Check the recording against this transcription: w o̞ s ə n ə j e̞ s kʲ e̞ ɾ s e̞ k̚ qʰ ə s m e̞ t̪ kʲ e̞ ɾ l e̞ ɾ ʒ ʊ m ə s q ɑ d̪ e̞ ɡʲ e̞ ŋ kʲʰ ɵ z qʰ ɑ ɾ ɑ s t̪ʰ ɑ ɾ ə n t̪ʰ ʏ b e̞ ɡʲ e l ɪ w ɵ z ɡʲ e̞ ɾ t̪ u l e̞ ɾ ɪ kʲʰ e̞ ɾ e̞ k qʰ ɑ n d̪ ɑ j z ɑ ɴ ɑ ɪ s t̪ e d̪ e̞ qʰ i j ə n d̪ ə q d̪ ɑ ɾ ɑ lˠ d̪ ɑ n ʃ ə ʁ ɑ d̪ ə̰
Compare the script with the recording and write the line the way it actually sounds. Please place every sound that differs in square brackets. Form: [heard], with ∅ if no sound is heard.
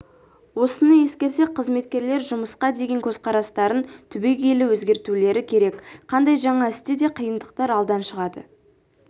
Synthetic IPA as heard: w o̞ s ə n ə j e̞ s kʲ e̞ ɾ s e̞ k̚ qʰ ə [z] m e̞ t̪ kʲ e̞ ɾ l e̞ ɾ ʒ ʊ m ə s q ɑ d̪ e̞ ɡʲ e̞ ŋ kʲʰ ɵ z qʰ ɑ ɾ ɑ s [t̪] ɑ ɾ ə n t̪ʰ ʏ b e̞ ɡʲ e l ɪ w ɵ z ɡʲ e̞ ɾ t̪ u l e̞ ɾ ɪ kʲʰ e̞ ɾ e̞ k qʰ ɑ n d̪ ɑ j [ʒ] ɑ ɴ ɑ ɪ s t̪ e d̪ e̞ qʰ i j ə n d̪ ə q [t̪] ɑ ɾ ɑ lˠ d̪ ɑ n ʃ ə ʁ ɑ d̪ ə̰

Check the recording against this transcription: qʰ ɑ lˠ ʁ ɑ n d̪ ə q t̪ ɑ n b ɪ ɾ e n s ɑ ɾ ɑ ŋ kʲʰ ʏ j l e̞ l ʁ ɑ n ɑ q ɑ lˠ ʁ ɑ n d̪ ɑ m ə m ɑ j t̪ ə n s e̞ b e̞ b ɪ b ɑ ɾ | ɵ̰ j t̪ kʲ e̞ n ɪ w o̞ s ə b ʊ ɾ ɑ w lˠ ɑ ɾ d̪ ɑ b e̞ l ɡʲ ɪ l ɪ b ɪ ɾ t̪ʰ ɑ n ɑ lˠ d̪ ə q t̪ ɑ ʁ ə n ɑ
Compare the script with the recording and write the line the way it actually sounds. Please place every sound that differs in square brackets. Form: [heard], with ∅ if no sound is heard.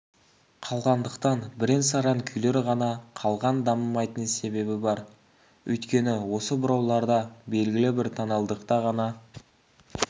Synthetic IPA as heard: qʰ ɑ lˠ ʁ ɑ n d̪ ə q t̪ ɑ n b ɪ ɾ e n s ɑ ɾ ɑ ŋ kʲʰ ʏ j l e̞ [ɾ] ʁ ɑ n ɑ [qʰ] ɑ lˠ ʁ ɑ n d̪ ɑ m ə m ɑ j t̪ ə n s e̞ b e̞ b ɪ b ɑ ɾ | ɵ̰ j t̪ kʲ e̞ n ɪ w o̞ s ə b ʊ ɾ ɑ w lˠ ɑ ɾ d̪ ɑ b e̞ l ɡʲ ɪ l ɪ b ɪ ɾ t̪ʰ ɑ n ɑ lˠ d̪ ə q t̪ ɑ ʁ [ɑ] n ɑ

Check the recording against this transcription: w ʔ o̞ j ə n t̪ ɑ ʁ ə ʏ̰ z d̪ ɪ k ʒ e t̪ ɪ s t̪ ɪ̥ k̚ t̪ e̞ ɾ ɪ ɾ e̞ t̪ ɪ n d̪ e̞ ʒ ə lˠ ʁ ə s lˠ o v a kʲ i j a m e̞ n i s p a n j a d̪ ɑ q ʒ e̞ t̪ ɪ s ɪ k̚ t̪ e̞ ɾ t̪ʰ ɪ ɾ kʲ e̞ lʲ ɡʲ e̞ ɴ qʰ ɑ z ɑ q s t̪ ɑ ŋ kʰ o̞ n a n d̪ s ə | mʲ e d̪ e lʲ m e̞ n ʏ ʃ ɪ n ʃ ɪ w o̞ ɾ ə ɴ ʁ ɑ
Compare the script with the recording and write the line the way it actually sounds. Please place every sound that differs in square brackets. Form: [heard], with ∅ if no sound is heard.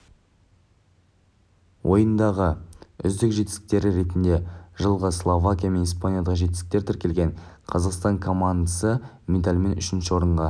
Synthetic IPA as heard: w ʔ o̞ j ə n [d̪] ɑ ʁ ə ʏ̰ z d̪ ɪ k ʒ e t̪ ɪ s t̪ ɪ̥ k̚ t̪ e̞ ɾ ɪ ɾ e̞ t̪ ɪ n d̪ e̞ ʒ ə lˠ ʁ ə s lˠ o v a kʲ i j a m e̞ n i s p a n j a d̪ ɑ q ʒ e̞ t̪ ɪ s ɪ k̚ t̪ e̞ ɾ t̪ʰ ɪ ɾ kʲ e̞ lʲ ɡʲ e̞ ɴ qʰ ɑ z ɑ q s t̪ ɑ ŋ kʰ o̞ [m] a n d̪ s ə | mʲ e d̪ [a] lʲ m e̞ n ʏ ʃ ɪ n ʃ ɪ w o̞ ɾ ə ɴ ʁ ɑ

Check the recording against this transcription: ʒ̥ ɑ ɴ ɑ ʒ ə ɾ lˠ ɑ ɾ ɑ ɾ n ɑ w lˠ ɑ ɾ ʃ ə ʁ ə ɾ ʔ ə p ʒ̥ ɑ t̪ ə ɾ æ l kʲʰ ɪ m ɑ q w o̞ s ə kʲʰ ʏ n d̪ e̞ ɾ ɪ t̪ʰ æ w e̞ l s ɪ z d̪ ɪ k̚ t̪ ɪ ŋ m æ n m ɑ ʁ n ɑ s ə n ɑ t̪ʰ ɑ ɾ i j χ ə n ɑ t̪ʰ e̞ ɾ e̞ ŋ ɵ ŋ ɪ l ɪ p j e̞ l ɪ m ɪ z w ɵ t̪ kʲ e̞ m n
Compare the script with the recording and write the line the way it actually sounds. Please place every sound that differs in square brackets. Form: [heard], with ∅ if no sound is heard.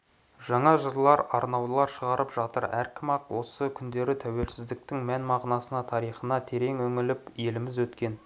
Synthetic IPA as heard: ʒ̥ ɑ ɴ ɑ ʒ ə ɾ lˠ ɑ ɾ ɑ ɾ n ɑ w lˠ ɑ ɾ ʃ ə ʁ [ɑ] ɾ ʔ ə p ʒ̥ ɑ t̪ ə ɾ æ [ɾ] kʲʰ ɪ m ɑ q w o̞ s ə kʲʰ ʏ n d̪ e̞ ɾ ɪ t̪ʰ æ w e̞ l s ɪ z d̪ ɪ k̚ t̪ ɪ ŋ m æ n m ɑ ʁ n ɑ s ə n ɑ t̪ʰ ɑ ɾ i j χ ə n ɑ t̪ʰ e̞ ɾ e̞ ŋ ɵ ŋ ɪ l ɪ p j e̞ l ɪ m ɪ z w ɵ t̪ kʲ e̞ [∅] n

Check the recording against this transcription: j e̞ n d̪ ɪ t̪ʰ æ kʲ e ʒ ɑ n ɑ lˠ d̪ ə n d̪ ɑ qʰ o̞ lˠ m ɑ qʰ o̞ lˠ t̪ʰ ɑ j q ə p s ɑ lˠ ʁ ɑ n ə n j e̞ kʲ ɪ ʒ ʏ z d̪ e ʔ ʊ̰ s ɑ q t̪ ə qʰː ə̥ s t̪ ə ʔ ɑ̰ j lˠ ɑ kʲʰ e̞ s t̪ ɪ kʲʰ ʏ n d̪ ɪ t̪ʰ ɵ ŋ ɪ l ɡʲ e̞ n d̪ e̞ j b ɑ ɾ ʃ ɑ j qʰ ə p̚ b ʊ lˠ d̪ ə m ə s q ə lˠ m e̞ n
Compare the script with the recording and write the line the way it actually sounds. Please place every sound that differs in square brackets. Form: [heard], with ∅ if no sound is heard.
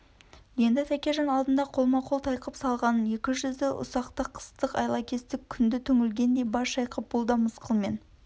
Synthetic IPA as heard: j e̞ n d̪ ɪ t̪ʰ æ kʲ e ʒ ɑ n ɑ lˠ d̪ ə n d̪ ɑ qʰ o̞ lˠ m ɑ qʰ o̞ lˠ t̪ʰ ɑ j q ə p s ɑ lˠ ʁ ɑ n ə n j e̞ kʲ ɪ ʒ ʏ z d̪ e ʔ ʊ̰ s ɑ q t̪ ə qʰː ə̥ s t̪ ə [q] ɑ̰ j lˠ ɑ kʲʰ e̞ s t̪ ɪ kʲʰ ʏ n d̪ ɪ t̪ʰ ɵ ŋ ɪ l ɡʲ e̞ n d̪ e̞ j b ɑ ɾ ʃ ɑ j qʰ ə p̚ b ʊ lˠ d̪ [ɑ] m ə s q ə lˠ m e̞ n

